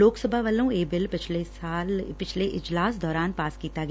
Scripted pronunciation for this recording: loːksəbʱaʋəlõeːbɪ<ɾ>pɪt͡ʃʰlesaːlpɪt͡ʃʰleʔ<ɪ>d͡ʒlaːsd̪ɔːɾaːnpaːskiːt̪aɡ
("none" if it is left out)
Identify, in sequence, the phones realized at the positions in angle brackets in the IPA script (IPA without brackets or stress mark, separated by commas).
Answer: l, ɪ